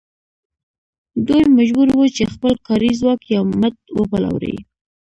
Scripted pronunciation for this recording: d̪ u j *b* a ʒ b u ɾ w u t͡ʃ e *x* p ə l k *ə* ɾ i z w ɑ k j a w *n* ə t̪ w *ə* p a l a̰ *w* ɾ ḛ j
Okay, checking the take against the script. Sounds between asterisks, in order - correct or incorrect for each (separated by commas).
incorrect, correct, incorrect, incorrect, correct, correct